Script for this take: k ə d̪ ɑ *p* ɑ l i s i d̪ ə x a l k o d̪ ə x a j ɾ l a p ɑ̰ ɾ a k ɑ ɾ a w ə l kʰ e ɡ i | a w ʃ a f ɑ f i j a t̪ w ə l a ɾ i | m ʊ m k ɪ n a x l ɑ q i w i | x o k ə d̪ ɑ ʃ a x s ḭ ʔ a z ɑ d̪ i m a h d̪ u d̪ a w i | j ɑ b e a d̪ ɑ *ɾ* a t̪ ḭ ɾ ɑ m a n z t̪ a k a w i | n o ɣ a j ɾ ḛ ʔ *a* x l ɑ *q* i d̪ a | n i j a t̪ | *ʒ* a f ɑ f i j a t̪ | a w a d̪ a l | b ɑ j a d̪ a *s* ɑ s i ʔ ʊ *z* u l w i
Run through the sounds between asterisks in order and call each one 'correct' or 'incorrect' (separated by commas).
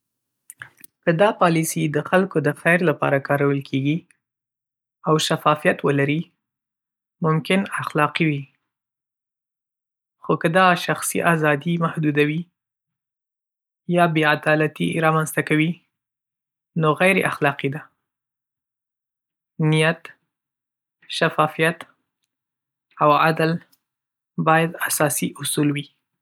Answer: correct, incorrect, correct, correct, incorrect, correct, incorrect